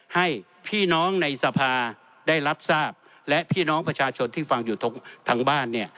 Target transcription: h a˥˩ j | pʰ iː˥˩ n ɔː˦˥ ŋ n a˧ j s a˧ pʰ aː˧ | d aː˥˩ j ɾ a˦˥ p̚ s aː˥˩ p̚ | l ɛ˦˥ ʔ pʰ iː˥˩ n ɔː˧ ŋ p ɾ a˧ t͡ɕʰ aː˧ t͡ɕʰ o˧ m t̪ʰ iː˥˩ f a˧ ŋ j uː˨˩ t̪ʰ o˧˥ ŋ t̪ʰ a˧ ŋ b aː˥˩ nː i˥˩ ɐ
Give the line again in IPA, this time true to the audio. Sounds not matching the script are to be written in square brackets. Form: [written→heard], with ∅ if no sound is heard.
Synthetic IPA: h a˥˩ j | pʰ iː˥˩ n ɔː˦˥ ŋ n a˧ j s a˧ pʰ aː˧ | d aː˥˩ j ɾ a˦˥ p̚ s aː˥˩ p̚ | l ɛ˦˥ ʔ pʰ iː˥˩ n [ɔː˧→ɔː˦˥] ŋ p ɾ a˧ t͡ɕʰ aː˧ t͡ɕʰ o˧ [m→n] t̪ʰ iː˥˩ f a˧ ŋ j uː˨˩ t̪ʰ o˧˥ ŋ t̪ʰ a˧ ŋ b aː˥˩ nː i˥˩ ɐ